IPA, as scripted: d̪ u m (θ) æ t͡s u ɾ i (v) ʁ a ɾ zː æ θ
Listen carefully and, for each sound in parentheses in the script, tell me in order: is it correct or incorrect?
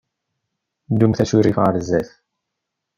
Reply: correct, incorrect

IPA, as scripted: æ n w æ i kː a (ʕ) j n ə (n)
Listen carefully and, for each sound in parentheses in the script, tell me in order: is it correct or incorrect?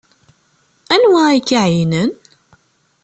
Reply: correct, correct

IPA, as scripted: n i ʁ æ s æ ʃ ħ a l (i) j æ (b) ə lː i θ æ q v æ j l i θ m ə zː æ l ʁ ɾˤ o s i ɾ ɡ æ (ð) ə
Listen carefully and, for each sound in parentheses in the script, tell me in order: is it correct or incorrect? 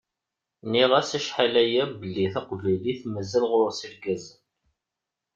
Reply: incorrect, correct, incorrect

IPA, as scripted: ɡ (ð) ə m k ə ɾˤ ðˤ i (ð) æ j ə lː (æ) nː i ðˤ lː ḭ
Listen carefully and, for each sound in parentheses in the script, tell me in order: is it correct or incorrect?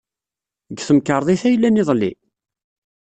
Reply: incorrect, incorrect, correct

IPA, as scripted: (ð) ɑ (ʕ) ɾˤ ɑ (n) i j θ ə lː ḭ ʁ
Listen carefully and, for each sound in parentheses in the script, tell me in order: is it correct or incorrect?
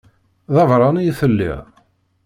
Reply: correct, incorrect, correct

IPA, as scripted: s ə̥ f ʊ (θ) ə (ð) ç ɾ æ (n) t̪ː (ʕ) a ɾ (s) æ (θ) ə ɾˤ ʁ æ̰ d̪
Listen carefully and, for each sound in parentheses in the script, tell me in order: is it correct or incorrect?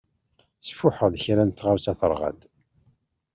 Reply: incorrect, correct, correct, incorrect, correct, correct

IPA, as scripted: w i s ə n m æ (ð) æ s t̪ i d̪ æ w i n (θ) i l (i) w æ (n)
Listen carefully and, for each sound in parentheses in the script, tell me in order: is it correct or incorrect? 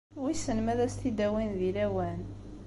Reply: correct, incorrect, incorrect, correct

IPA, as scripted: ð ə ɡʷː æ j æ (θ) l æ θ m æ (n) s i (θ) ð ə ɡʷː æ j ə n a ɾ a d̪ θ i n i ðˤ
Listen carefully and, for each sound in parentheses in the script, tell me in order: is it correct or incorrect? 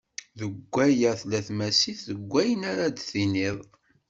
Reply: correct, incorrect, correct

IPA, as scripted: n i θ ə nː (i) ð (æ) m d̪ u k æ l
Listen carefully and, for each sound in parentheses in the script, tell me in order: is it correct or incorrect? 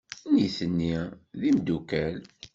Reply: correct, incorrect

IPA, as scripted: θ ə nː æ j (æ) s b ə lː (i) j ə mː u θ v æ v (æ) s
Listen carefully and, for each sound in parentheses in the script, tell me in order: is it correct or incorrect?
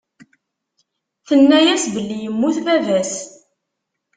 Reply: correct, correct, correct

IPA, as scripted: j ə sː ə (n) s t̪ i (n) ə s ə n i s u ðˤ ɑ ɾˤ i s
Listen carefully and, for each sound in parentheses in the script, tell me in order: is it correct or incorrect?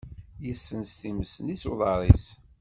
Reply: correct, incorrect

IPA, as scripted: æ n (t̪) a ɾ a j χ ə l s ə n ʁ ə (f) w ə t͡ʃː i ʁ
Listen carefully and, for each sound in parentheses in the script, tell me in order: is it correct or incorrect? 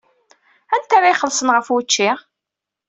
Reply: correct, correct

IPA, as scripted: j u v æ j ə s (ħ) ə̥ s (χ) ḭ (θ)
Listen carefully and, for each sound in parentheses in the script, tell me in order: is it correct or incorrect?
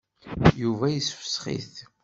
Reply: incorrect, correct, correct

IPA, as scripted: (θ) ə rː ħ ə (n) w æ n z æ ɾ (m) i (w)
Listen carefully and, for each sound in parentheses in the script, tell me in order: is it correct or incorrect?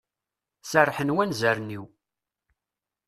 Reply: incorrect, correct, incorrect, correct

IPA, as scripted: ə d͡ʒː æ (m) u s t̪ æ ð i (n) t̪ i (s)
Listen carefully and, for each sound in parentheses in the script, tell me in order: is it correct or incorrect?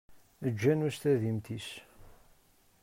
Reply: incorrect, incorrect, correct

